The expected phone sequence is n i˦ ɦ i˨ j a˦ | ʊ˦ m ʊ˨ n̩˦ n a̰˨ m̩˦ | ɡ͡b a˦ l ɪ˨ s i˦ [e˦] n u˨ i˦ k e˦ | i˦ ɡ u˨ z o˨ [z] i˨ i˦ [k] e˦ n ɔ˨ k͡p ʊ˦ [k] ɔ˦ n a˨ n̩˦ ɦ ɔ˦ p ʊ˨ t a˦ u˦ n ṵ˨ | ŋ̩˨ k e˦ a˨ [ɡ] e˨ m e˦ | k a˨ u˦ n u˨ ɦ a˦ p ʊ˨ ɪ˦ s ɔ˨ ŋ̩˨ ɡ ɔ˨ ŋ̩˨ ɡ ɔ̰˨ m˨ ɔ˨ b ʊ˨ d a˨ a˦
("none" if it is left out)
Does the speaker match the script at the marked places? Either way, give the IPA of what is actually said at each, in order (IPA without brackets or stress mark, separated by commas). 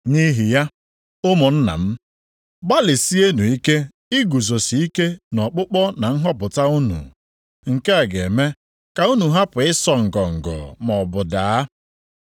e˦, s, k, k͡p, ɡ